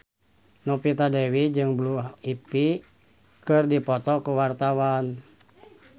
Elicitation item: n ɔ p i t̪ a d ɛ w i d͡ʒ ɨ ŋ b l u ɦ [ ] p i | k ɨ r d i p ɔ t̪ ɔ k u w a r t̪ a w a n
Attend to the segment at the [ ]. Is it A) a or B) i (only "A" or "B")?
B